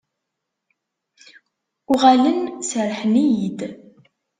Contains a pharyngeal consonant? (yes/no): yes